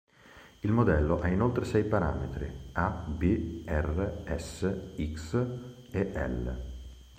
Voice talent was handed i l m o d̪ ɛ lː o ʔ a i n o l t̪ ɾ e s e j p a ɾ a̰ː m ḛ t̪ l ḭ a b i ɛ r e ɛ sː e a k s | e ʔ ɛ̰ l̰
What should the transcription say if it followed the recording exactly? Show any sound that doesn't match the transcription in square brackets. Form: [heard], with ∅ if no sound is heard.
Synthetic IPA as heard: i l m o d̪ ɛ lː o ʔ a i n o l t̪ ɾ e s [ɛ] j p a ɾ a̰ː m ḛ t̪ [ɾ] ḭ a b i ɛ r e ɛ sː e [i] k s | e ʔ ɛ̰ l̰